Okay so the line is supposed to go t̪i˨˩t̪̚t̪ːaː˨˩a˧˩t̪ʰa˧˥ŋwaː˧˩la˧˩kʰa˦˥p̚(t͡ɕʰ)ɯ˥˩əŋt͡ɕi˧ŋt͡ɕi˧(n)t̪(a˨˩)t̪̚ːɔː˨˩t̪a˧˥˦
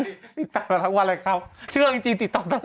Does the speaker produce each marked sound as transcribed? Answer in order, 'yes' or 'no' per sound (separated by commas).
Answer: yes, no, no